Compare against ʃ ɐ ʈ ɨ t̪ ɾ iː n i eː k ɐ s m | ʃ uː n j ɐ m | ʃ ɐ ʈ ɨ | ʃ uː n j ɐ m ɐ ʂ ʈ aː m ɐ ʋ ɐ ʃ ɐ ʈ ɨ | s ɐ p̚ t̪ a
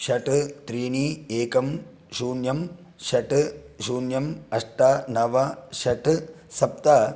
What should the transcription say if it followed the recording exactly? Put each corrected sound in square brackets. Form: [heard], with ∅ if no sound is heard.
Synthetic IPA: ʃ ɐ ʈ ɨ t̪ ɾ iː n i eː k ɐ [∅] m | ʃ uː n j ɐ m | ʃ ɐ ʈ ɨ | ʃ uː n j ɐ m ɐ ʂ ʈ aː [n] ɐ ʋ ɐ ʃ ɐ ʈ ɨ | s ɐ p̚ t̪ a